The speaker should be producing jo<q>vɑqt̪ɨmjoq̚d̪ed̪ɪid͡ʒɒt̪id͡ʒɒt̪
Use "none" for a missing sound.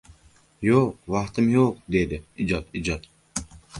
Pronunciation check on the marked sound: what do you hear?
q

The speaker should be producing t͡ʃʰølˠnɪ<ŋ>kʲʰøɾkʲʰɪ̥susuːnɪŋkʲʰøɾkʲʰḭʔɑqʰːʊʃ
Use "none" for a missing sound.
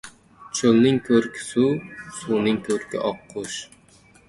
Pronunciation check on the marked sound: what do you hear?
ŋ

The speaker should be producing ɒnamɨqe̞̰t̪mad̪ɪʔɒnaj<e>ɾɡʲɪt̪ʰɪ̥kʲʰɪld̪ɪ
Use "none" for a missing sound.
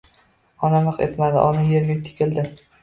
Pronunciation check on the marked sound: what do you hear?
e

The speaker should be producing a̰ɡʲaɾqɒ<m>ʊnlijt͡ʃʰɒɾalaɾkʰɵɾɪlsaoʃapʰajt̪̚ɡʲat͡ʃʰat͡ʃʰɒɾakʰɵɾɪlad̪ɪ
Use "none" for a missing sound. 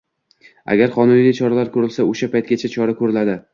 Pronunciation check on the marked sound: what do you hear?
n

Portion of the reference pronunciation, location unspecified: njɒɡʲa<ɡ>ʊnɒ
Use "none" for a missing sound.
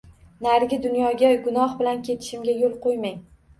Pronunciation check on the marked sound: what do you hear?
ɡ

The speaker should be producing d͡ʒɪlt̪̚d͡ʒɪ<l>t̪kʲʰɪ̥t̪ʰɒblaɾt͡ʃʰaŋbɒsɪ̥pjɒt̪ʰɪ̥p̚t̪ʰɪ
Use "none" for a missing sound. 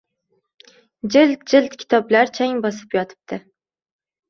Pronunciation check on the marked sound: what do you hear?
l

